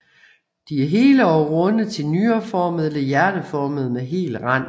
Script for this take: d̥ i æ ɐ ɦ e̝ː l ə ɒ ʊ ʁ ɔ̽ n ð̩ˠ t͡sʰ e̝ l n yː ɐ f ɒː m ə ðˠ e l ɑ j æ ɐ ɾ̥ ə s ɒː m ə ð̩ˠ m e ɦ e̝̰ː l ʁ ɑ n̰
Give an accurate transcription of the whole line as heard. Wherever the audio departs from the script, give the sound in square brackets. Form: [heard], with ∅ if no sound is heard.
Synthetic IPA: d̥ i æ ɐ ɦ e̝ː l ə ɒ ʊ ʁ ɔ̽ n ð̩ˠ t͡sʰ e̝ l n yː ɐ f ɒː m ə ðˠ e l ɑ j æ ɐ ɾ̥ ə [f] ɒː m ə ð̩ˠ m e ɦ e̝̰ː l ʁ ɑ n̰